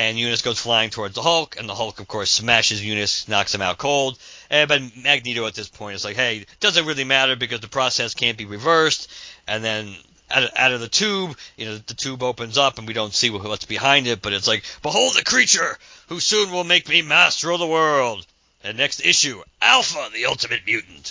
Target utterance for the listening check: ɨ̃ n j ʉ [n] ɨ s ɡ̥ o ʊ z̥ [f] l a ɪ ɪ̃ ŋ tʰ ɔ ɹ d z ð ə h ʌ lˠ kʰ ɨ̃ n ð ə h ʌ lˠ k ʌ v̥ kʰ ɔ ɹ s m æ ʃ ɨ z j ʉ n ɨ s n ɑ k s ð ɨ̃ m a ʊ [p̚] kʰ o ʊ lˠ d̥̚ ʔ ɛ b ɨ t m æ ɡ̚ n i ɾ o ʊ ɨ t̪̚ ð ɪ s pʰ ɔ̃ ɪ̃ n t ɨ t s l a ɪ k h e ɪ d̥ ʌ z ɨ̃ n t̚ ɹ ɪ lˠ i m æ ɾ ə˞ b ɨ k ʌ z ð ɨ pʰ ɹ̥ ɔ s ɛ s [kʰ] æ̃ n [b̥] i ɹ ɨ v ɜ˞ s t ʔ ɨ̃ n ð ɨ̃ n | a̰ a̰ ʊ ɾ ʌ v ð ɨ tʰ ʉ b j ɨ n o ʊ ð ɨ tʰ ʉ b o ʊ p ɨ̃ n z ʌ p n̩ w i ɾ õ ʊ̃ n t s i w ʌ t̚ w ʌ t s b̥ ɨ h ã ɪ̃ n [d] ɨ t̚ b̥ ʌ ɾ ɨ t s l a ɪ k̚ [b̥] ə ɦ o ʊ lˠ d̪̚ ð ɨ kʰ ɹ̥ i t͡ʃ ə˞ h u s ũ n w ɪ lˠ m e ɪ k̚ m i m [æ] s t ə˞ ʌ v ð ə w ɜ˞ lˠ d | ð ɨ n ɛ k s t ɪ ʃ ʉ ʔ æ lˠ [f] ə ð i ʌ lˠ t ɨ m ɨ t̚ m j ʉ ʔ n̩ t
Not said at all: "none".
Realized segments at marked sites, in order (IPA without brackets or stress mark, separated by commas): n, f, t̚, kʰ, b̥, d, b̥, æ, f